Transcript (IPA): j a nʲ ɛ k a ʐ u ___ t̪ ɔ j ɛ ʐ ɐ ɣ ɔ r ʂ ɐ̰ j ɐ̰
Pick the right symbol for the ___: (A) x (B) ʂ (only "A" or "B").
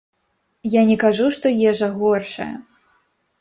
B